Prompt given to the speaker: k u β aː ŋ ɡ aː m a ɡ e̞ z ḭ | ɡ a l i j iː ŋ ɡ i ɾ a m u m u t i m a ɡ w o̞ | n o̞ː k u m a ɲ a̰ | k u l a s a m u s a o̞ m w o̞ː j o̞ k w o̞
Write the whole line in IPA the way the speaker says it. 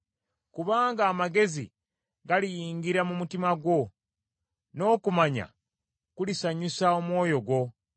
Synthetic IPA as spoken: k u β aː ŋ ɡ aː m a ɡ e̞ z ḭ | ɡ a l i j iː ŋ ɡ i ɾ a m u m u t i m a ɡ w o̞ | n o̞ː k u m a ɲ a̰ | k u l i s a ɲ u s a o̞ m w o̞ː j o̞ ɡ w o̞